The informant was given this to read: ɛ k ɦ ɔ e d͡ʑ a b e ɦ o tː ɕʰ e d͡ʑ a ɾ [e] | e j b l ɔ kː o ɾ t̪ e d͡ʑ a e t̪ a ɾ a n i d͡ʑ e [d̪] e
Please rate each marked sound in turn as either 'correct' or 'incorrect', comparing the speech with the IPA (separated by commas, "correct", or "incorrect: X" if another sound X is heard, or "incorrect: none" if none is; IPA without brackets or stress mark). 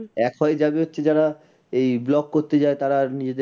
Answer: incorrect: a, correct